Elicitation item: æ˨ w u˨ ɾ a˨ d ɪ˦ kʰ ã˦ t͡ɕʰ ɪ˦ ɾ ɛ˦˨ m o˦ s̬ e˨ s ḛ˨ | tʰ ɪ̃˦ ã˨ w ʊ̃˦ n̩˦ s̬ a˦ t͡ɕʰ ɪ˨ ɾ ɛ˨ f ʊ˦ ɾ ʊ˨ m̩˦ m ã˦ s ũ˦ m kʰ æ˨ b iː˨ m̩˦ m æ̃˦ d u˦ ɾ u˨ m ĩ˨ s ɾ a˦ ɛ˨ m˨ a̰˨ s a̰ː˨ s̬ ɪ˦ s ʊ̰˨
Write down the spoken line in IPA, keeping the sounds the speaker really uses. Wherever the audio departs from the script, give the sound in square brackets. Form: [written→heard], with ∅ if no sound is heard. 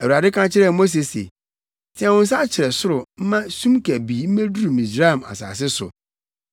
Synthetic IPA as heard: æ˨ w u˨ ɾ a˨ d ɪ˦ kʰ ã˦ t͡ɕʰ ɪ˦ ɾ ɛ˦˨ m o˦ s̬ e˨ s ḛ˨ | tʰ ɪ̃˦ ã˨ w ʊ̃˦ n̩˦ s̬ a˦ t͡ɕʰ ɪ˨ ɾ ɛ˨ [f→s] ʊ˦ ɾ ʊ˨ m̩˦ m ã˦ s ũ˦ m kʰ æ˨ b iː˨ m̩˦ m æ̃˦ d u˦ ɾ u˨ m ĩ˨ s ɾ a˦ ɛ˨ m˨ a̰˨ s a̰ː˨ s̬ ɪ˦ s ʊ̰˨